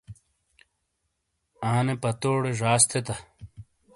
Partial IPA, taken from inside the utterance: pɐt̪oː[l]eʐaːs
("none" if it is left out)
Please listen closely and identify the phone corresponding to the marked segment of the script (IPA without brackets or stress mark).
ɽ